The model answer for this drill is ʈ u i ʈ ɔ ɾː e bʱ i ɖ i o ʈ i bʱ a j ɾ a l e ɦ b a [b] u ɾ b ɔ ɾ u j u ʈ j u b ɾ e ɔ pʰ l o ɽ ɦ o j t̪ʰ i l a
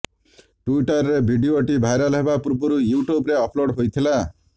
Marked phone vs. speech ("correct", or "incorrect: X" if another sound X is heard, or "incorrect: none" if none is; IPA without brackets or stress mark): incorrect: p